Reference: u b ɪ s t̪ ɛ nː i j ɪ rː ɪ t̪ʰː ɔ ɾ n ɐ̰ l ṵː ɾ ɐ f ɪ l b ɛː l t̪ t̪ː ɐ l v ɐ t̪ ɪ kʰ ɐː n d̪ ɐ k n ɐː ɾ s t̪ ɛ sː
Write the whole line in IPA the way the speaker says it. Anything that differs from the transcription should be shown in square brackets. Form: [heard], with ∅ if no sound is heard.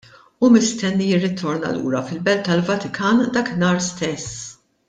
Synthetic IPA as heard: u [m] ɪ s t̪ ɛ nː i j ɪ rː ɪ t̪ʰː ɔ ɾ n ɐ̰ l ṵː ɾ ɐ f ɪ l b [ɛ] l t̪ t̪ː ɐ l v ɐ t̪ ɪ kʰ ɐː n d̪ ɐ k n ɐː ɾ s t̪ ɛ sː

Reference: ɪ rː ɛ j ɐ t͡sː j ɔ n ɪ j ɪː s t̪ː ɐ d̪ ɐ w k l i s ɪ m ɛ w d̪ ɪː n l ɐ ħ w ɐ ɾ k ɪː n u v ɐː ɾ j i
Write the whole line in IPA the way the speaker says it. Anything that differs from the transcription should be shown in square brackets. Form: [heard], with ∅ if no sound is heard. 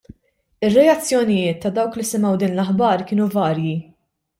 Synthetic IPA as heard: ɪ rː ɛ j ɐ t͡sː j ɔ n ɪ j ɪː [∅] t̪ː ɐ d̪ ɐ w k l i s ɪ m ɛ w d̪ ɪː n l ɐ ħ [b] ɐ ɾ k ɪː n u v ɐː ɾ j i

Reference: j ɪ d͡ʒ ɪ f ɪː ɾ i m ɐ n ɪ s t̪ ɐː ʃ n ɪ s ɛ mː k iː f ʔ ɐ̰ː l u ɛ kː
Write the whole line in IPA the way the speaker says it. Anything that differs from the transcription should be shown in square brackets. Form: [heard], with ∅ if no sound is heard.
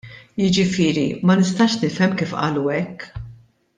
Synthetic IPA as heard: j ɪ d͡ʒ ɪ f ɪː ɾ i m ɐ n ɪ s t̪ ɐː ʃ n ɪ [f] ɛ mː k iː f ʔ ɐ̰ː l u ɛ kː

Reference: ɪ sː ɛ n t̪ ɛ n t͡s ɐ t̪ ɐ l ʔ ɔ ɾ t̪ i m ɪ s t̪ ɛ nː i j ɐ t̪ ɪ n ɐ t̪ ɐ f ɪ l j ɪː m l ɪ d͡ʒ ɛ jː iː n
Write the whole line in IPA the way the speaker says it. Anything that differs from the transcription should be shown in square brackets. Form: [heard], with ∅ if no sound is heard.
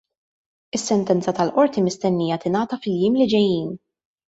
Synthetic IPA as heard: ɪ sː ɛ n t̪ ɛ n t͡s ɐ t̪ ɐ l ʔ ɔ ɾ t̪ i m ɪ s t̪ ɛ nː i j ɐ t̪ ɪ n [ɐː] t̪ ɐ f ɪ l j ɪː m l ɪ d͡ʒ ɛ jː iː n

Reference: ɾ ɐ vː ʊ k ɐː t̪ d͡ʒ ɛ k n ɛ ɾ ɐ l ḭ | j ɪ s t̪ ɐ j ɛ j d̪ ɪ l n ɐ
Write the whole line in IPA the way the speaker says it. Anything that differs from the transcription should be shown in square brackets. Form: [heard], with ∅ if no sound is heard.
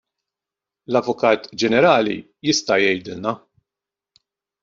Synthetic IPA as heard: [l] ɐ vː ʊ k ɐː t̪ d͡ʒ ɛ [∅] n ɛ ɾ [ɐː] l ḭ | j ɪ s t̪ ɐ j ɛ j d̪ ɪ l n ɐ

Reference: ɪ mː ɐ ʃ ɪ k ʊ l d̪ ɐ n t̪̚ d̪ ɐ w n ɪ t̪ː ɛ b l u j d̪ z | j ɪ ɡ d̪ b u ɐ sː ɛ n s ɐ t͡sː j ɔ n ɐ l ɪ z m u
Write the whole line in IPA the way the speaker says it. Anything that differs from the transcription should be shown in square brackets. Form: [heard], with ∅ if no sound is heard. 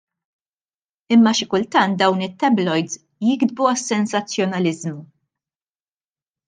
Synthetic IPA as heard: ɪ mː ɐ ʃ ɪ k ʊ l [t̪] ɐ n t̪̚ d̪ ɐ w n ɪ t̪ː ɛ b l [ɔ] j d̪ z | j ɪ ɡ d̪ b u ɐ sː ɛ n s ɐ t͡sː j ɔ n ɐ l ɪ z m u

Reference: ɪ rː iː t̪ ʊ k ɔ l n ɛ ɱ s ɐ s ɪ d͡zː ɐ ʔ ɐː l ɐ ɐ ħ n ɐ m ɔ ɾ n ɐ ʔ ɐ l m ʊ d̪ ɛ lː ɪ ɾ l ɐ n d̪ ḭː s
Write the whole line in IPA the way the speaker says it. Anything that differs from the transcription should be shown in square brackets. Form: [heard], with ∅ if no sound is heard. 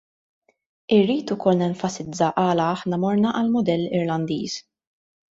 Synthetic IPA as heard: ɪ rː iː t̪ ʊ k ɔ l n ɛ ɱ [f] ɐ s ɪ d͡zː ɐ ʔ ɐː l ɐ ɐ ħ n ɐ m ɔ ɾ n ɐ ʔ ɐ l m ʊ d̪ ɛ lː ɪ ɾ l ɐ n d̪ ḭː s

